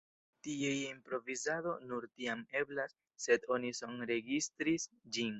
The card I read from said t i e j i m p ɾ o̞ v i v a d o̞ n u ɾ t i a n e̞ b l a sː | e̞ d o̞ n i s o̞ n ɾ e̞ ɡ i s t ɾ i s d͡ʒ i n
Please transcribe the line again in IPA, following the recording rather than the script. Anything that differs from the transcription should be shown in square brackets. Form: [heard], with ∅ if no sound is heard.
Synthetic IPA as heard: t i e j i m p ɾ o̞ v i [z] a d o̞ n u ɾ t i a [m] e̞ b l a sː | e̞ d o̞ n i s o̞ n ɾ e̞ ɡ i s t ɾ i s d͡ʒ i n